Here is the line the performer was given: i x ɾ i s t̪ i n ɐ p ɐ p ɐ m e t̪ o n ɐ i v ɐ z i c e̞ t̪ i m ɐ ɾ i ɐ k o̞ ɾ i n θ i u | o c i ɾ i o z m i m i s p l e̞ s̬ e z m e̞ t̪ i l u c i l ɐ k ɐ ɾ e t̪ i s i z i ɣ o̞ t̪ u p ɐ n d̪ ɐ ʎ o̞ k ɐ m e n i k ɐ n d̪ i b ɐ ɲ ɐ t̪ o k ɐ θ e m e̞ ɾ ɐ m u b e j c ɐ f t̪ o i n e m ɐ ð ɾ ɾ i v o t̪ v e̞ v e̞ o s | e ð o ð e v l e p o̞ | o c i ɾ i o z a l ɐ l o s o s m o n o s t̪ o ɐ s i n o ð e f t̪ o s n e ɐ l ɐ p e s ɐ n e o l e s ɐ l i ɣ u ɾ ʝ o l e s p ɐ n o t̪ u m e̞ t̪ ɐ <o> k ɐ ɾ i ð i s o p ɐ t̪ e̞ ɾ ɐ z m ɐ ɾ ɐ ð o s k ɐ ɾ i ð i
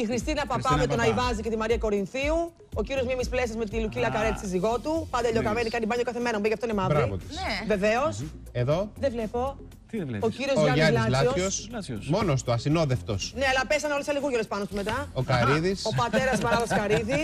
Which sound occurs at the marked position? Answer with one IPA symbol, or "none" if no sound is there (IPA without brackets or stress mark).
o